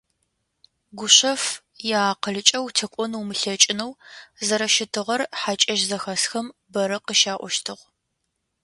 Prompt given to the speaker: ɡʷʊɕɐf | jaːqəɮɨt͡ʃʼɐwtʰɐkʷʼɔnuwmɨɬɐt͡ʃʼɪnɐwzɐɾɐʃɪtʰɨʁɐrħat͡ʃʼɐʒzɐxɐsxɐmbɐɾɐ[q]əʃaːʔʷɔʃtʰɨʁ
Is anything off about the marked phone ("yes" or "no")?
no